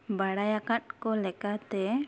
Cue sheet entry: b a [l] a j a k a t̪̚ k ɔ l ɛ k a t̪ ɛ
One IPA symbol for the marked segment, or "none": ɽ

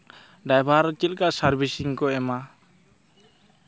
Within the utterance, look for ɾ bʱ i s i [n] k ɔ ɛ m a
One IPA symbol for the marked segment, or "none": ŋ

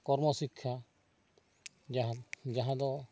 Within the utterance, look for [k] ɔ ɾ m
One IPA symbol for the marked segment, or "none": k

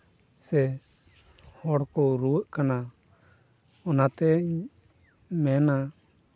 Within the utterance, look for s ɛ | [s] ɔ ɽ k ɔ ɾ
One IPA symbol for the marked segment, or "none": h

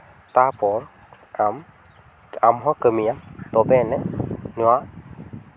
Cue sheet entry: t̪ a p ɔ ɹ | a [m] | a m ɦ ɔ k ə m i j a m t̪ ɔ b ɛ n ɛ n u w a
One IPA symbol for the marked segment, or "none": m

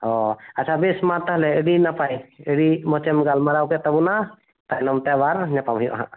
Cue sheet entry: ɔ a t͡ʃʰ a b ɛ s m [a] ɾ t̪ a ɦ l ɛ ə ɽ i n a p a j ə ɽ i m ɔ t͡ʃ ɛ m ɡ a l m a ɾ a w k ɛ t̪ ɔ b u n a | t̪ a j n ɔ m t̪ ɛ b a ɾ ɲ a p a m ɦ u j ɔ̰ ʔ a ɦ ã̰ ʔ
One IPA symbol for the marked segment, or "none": a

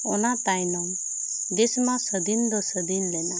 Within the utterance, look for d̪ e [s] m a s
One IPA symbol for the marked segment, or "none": s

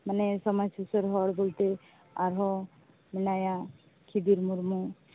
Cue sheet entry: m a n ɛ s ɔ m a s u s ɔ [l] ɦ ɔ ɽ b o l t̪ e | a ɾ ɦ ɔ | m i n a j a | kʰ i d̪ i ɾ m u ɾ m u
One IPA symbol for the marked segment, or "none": ɾ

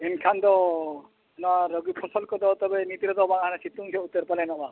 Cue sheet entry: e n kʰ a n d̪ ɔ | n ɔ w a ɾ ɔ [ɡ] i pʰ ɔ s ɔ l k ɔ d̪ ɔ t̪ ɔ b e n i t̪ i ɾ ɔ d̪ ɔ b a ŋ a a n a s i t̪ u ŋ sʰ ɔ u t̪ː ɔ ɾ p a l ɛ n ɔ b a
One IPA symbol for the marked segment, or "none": ɡ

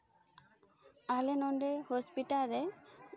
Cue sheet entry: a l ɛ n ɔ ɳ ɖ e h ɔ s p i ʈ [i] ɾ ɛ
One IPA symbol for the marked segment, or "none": a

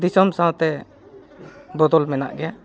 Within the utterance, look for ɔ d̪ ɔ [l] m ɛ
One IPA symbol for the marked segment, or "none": l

